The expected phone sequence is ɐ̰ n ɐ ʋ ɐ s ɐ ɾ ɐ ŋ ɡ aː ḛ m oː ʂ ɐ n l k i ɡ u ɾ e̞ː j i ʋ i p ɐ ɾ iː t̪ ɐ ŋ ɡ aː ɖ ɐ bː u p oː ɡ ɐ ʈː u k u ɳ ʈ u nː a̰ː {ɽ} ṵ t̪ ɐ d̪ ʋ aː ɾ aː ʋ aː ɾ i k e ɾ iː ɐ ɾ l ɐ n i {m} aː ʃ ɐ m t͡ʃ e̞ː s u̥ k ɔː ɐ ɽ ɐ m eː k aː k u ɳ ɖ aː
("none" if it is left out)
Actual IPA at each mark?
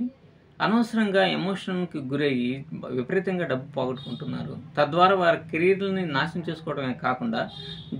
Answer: ɾ, n

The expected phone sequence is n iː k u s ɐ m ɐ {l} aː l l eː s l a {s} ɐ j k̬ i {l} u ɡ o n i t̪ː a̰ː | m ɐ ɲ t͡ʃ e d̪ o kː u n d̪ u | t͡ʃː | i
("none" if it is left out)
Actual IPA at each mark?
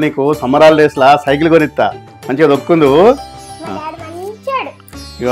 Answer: ɾ, s, l

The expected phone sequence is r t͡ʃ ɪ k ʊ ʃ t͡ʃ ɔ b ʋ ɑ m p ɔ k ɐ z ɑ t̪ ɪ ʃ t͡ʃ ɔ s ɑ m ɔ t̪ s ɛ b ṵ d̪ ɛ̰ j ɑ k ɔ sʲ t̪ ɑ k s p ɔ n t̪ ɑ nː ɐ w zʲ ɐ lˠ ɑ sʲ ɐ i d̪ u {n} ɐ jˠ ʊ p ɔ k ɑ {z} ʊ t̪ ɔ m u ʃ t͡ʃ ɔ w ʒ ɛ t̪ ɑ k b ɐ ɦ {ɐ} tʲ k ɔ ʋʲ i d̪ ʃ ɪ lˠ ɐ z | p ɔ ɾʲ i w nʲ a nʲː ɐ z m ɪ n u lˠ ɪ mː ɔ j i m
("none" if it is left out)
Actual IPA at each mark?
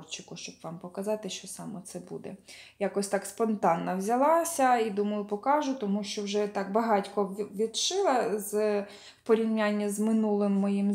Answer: m, ʒ, ɑ

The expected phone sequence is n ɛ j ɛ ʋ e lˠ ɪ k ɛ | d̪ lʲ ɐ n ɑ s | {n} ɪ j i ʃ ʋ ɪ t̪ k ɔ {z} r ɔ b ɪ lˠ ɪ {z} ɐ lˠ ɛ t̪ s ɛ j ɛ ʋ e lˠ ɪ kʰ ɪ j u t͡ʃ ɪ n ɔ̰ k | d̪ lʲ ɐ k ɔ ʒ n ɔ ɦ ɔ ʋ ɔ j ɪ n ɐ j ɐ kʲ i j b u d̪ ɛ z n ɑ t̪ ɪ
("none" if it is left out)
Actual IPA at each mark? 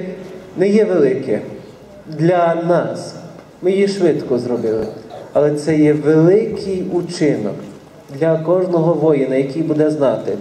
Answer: m, z, none

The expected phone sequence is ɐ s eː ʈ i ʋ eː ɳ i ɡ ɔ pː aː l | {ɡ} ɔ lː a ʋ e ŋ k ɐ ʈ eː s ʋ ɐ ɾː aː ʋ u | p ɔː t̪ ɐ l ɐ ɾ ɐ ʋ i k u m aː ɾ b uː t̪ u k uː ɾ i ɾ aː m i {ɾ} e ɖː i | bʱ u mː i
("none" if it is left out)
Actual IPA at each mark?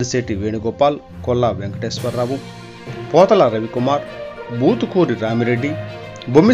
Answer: k, ɾ

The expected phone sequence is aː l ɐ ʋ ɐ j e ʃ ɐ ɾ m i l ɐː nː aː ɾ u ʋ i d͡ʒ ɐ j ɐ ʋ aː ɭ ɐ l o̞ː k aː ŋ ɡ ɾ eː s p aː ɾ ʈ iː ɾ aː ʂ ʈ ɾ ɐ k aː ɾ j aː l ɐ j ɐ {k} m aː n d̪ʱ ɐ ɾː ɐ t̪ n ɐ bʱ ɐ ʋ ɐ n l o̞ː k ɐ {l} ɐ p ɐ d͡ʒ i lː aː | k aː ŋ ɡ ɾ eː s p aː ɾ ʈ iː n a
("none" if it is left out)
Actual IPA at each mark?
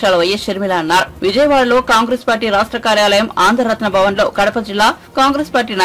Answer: none, ɽ

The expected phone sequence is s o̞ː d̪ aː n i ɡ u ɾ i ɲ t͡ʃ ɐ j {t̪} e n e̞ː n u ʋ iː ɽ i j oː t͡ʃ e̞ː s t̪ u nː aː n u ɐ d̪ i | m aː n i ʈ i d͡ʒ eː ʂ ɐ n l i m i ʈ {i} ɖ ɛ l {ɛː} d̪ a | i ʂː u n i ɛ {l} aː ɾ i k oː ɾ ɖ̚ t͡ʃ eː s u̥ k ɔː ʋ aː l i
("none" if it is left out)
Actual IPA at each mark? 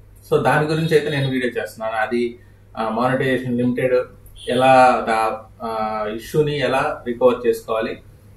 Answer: t̪, e, aː, l

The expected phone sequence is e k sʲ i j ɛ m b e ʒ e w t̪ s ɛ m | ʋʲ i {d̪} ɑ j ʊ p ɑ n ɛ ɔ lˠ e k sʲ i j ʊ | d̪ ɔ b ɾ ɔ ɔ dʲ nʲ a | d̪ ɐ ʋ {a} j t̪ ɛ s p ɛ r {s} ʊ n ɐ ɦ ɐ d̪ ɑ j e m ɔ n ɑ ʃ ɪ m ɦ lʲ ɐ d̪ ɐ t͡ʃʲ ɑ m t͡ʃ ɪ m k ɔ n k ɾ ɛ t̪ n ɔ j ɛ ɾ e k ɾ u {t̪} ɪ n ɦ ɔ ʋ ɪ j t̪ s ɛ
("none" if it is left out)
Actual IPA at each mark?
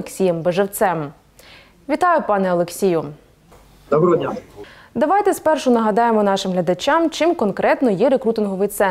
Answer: t̪, ɑ, ʃ, t̪

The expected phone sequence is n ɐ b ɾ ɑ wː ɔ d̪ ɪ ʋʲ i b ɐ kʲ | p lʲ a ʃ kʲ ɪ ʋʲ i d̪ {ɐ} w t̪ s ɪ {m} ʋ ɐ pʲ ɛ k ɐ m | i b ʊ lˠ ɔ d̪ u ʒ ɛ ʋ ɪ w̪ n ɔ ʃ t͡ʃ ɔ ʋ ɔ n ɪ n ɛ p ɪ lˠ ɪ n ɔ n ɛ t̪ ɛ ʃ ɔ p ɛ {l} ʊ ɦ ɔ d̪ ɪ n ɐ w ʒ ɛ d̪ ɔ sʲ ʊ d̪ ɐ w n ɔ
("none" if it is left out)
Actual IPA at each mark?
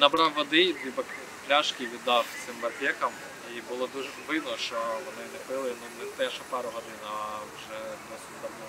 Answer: ɑ, m, ɾ

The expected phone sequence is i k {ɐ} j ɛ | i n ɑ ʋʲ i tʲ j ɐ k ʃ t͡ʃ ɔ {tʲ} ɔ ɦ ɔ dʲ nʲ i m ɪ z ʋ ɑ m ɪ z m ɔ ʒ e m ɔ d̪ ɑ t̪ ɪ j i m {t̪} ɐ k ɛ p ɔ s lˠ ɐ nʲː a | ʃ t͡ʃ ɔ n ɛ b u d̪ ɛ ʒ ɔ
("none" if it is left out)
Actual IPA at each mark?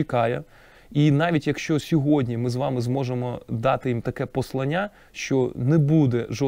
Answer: ɑ, sʲ, t̪

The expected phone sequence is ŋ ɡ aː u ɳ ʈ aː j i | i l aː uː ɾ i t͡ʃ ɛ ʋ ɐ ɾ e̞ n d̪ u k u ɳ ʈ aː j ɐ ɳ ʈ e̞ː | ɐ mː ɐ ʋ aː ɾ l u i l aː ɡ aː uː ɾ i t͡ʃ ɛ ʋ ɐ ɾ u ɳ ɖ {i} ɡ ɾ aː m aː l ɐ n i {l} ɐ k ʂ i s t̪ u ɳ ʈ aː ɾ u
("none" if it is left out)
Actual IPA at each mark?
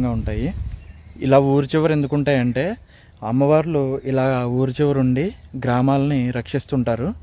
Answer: i, ɾ

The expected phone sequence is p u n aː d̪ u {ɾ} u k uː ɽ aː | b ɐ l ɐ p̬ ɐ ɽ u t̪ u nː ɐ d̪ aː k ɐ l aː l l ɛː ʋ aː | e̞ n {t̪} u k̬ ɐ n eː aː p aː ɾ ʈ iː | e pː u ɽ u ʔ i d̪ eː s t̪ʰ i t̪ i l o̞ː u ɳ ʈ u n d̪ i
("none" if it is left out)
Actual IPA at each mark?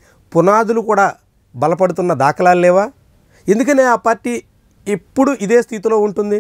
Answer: l, d̪

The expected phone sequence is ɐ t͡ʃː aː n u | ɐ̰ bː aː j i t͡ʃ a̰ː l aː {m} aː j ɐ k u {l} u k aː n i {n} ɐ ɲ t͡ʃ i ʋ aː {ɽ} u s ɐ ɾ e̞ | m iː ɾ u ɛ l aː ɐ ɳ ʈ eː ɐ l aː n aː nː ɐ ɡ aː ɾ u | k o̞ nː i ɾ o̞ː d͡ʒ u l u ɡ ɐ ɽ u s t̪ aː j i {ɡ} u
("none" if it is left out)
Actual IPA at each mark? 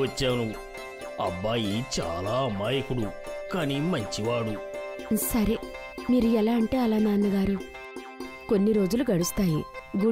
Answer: m, ɽ, m, ɽ, ɡ

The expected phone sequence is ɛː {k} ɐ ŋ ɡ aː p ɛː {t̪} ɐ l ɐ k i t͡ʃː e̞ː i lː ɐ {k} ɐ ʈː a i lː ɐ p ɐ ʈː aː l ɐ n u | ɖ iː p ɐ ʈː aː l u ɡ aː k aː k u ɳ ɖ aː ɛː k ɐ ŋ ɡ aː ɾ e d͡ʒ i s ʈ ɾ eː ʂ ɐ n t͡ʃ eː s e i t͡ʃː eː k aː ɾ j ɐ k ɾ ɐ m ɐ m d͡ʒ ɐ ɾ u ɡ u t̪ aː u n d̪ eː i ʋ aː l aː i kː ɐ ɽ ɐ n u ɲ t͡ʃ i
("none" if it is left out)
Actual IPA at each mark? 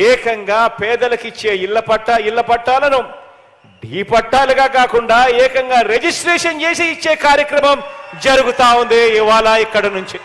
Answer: k, d̪, p

